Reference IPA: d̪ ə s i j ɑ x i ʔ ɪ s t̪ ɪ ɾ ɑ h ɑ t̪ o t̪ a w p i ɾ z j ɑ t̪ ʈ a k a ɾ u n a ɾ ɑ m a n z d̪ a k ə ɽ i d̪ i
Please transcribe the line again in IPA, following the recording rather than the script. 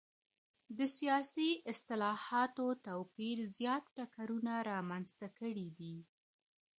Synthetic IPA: d̪ ə s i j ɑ s i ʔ ɪ s t̪ ɪ l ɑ h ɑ t̪ o t̪ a w p i ɾ z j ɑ t̪ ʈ a k a ɾ u n a ɾ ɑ m a n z t̪ a k ə ɽ i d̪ i